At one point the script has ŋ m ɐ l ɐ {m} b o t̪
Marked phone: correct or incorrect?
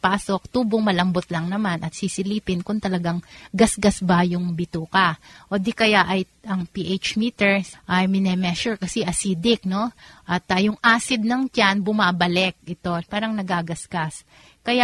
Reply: correct